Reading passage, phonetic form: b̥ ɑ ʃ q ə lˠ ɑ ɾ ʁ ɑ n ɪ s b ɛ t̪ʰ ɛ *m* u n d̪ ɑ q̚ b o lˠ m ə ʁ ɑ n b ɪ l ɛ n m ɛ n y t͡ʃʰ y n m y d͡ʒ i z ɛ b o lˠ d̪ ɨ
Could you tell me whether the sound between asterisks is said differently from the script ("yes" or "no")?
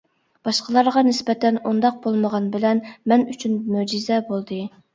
yes